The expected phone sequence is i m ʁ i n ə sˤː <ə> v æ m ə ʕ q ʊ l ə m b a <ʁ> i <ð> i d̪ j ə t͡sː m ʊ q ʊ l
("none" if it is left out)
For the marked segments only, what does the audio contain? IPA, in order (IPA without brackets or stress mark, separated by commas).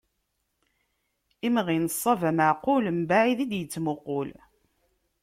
ɑ, ʕ, ð